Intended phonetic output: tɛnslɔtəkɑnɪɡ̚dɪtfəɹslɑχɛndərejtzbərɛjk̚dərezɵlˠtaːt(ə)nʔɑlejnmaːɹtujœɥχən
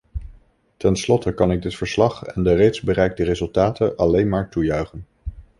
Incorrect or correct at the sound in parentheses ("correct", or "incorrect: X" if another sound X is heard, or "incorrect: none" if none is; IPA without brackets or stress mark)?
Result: correct